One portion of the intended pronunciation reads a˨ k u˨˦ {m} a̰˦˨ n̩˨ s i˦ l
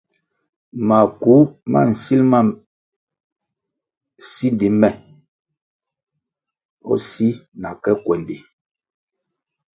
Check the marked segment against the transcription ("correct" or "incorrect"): correct